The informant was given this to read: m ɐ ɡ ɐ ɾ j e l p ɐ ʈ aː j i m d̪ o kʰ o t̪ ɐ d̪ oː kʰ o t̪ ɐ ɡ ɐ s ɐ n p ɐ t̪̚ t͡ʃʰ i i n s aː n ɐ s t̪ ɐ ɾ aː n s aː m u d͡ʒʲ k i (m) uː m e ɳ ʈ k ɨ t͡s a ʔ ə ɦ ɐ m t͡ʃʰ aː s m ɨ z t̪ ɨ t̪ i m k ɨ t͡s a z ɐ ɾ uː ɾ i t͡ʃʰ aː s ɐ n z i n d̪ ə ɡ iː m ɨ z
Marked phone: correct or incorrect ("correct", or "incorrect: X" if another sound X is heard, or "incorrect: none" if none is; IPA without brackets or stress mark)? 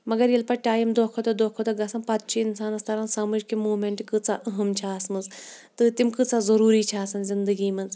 correct